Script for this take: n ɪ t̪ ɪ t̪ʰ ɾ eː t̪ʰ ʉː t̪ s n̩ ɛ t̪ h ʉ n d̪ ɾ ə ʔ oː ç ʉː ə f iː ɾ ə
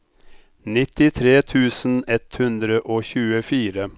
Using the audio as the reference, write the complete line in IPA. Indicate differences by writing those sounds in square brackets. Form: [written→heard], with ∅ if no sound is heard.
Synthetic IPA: n ɪ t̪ ɪ t̪ʰ ɾ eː t̪ʰ ʉː [t̪→∅] s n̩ ɛ t̪ h ʉ n d̪ ɾ ə ʔ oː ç ʉː ə f iː ɾ ə